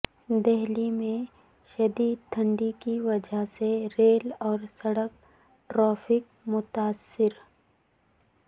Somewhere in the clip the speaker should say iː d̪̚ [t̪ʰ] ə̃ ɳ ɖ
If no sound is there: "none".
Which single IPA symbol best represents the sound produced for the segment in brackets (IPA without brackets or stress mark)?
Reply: t̪ʰ